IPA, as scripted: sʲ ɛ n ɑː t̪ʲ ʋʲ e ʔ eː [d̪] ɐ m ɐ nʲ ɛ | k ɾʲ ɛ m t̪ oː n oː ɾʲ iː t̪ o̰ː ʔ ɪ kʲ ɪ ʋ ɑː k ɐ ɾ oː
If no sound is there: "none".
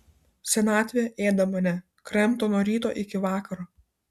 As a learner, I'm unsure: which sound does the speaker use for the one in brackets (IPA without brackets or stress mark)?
d̪